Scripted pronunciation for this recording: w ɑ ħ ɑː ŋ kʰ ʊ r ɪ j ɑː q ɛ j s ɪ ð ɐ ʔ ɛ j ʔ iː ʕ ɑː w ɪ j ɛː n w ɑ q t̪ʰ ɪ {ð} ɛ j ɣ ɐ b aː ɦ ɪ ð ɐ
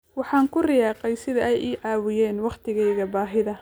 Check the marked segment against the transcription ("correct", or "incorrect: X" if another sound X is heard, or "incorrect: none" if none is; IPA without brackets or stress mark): incorrect: ɣ